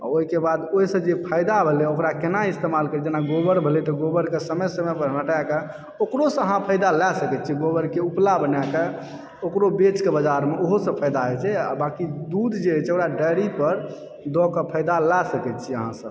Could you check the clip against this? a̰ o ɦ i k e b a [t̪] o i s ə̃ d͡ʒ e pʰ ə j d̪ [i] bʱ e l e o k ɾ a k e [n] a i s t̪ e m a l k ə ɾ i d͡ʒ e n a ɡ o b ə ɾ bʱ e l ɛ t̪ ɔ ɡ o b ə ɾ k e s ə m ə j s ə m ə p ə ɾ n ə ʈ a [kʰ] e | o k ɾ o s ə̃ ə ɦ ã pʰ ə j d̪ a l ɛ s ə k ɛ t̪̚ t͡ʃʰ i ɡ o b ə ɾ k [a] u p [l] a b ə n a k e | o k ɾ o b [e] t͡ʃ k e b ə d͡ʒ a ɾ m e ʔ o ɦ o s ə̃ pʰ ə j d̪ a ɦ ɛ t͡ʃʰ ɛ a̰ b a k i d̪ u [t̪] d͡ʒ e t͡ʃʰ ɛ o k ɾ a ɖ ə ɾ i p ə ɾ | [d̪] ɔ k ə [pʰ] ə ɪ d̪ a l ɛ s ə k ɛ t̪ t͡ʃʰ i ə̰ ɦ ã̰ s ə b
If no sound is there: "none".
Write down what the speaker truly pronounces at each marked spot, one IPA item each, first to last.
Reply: d̪, a, n, k, e, l, e, d̪, d̪, pʰ

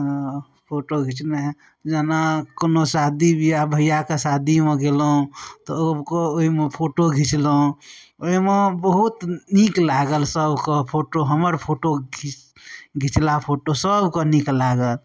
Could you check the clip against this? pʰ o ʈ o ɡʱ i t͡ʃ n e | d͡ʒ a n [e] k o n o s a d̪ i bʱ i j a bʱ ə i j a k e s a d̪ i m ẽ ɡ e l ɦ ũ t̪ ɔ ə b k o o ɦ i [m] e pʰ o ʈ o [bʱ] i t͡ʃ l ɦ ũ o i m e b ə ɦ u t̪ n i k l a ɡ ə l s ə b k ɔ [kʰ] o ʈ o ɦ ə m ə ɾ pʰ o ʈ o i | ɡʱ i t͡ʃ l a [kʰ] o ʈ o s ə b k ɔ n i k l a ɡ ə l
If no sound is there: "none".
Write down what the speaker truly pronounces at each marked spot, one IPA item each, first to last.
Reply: a, m, ɡʱ, pʰ, pʰ

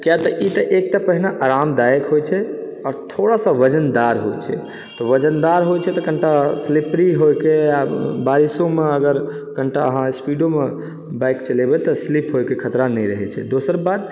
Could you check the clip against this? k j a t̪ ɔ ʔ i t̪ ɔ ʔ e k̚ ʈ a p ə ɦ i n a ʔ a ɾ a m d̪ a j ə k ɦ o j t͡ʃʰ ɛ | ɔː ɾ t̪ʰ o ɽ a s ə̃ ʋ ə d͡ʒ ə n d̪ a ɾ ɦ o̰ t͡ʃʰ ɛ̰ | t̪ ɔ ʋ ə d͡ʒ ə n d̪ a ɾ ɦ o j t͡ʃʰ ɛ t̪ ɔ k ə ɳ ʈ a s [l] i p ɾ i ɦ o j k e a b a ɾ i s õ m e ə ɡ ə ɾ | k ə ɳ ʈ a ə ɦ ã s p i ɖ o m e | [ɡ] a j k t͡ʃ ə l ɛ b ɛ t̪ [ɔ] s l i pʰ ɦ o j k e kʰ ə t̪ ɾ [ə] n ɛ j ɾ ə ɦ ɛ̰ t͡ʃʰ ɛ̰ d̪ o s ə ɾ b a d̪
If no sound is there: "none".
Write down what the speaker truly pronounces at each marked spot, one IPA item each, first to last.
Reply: l, b, ɔ, a

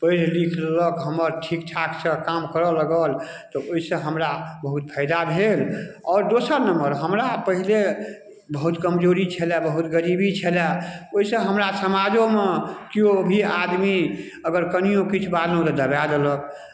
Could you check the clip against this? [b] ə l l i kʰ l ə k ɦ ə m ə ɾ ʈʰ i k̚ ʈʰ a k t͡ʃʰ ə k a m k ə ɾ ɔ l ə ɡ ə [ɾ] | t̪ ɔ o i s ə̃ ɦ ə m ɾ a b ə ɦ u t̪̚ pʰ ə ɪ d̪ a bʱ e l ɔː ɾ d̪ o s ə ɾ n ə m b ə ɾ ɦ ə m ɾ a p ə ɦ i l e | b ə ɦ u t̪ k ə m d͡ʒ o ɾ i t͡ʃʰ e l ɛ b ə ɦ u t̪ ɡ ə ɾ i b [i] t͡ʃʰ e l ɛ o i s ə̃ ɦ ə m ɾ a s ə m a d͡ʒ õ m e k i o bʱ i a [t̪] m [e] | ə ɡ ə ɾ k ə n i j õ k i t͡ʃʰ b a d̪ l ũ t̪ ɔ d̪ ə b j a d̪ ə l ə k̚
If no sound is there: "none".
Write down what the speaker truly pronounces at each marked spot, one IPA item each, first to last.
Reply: p, l, i, d̪, i

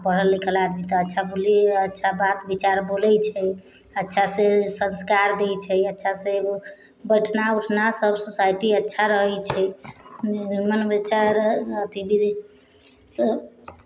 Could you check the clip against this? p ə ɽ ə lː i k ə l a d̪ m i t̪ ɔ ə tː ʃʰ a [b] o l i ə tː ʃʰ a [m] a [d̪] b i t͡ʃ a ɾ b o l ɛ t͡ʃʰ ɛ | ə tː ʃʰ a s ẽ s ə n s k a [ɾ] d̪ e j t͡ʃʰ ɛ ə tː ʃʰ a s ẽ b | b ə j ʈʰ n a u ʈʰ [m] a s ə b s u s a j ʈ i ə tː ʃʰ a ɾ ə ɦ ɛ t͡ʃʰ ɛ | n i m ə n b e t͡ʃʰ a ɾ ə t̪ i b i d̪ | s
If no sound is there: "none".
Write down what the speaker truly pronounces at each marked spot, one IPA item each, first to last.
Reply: b, b, t̪, ɾ, n

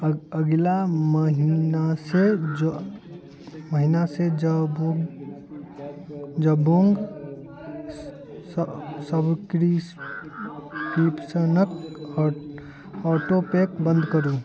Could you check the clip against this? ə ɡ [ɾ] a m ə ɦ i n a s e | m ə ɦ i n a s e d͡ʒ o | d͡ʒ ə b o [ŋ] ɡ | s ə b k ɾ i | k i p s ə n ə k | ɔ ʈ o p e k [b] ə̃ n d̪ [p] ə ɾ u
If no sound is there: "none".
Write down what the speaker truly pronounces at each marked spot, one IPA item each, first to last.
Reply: l, ŋ, b, k

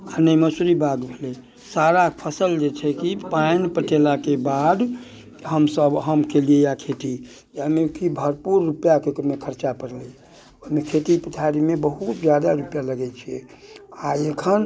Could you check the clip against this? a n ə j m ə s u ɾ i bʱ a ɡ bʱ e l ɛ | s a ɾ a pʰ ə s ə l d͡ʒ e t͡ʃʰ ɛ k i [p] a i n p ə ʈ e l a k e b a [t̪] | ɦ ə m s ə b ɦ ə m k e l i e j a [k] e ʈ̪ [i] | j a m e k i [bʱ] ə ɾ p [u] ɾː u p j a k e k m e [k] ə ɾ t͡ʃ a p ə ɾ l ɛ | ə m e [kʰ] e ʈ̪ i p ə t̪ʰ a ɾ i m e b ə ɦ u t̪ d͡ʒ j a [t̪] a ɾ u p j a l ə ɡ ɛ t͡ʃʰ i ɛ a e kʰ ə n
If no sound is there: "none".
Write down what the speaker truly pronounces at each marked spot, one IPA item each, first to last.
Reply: p, d̪, kʰ, i, bʱ, u, kʰ, kʰ, d̪

